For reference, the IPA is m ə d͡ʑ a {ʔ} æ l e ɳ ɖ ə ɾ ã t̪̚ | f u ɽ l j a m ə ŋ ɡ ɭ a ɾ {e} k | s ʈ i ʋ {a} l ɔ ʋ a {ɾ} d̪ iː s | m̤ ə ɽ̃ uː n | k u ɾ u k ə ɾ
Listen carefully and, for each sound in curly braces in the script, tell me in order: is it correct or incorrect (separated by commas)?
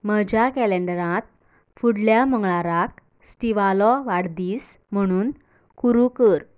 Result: incorrect, incorrect, correct, incorrect